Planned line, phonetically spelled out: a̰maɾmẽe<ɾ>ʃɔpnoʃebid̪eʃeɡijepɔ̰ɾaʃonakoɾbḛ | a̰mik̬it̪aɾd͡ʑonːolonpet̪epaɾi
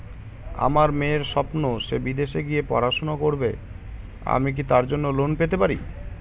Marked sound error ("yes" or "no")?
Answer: no